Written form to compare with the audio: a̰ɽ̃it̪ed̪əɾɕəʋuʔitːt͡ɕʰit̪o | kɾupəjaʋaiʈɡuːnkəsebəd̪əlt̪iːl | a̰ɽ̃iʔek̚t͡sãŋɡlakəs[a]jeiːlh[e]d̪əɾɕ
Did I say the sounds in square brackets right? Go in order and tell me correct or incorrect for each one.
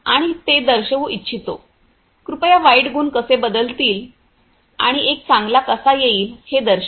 correct, correct

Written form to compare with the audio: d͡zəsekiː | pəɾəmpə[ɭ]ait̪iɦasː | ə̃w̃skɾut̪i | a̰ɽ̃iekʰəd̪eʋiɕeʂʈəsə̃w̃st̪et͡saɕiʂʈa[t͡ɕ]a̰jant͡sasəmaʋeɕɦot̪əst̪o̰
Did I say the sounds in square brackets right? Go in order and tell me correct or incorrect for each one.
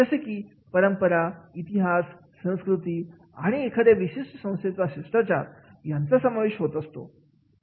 incorrect, correct

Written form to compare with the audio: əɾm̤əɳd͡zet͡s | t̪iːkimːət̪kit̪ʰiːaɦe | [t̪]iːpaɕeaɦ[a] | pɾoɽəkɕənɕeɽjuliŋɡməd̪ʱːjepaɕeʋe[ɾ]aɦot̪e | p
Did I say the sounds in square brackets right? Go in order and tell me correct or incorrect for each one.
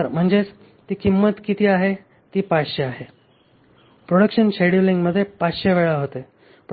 correct, incorrect, incorrect

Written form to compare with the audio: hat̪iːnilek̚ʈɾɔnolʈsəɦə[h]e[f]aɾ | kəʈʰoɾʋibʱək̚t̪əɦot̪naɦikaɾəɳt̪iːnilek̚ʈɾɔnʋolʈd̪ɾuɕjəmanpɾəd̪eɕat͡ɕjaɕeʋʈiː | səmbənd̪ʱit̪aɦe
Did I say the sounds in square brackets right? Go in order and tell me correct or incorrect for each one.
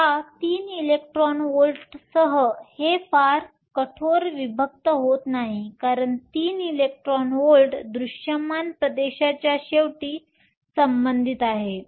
correct, correct

